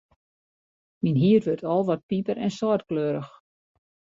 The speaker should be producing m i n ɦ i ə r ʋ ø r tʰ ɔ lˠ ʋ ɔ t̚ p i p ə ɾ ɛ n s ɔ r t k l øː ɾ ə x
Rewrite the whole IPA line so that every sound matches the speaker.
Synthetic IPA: m i n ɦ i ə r ʋ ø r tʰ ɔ lˠ ʋ ɔ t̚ p i p ə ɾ ɛ n s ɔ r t k l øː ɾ ə x